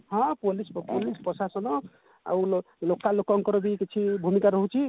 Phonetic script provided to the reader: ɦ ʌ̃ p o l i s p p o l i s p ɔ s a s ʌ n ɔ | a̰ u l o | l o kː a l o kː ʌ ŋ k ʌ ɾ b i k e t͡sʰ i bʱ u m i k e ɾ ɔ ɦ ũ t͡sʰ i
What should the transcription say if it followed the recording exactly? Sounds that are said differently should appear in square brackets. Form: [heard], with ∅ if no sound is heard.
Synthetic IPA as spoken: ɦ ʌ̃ p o l i s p p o l i s p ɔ s a s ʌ n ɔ | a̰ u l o | l o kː a l o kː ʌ ŋ k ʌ ɾ b i k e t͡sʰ i bʱ u m i k [a] ɾ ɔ ɦ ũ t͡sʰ i

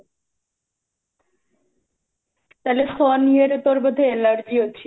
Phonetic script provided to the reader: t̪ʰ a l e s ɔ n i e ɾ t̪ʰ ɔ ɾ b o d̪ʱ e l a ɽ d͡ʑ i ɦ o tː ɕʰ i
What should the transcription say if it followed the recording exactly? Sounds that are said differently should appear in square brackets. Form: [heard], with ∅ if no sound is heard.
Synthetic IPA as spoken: [t̪] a l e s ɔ n i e ɾ [t̪] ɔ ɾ b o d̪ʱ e l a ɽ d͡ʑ i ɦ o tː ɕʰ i

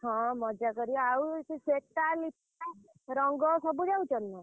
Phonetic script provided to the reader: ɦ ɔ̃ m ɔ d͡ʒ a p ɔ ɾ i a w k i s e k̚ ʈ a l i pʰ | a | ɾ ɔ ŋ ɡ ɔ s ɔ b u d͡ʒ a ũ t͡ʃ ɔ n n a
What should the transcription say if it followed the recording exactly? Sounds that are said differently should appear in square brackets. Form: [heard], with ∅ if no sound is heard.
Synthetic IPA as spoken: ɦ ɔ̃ m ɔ d͡ʒ a [k] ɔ ɾ i a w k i s e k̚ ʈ a l i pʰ | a | ɾ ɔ ŋ ɡ ɔ s ɔ b u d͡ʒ a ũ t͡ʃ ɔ n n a

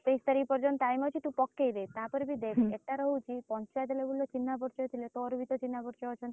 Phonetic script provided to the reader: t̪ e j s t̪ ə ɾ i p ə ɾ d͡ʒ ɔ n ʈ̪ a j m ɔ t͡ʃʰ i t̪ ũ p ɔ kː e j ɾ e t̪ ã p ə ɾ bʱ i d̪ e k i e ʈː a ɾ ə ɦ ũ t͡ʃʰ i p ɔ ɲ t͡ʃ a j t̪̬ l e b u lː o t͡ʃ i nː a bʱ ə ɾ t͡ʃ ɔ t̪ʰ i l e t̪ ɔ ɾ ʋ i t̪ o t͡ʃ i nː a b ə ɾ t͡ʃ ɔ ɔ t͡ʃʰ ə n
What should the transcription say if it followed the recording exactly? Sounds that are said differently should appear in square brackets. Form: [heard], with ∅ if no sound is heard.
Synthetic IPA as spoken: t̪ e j s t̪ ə ɾ i p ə ɾ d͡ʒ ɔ n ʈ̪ a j m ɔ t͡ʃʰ i t̪ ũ p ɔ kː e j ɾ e t̪ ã p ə ɾ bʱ i d̪ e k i e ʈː a ɾ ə ɦ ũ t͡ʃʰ i p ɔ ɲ t͡ʃ a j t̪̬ l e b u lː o t͡ʃ i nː a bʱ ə ɾ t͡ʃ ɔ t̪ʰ i l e t̪ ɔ ɾ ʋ i t̪ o t͡ʃ i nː a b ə ɾ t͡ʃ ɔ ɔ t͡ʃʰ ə n

